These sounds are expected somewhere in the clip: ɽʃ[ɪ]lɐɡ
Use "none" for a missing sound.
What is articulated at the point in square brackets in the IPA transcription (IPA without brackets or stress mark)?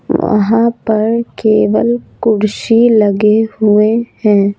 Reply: i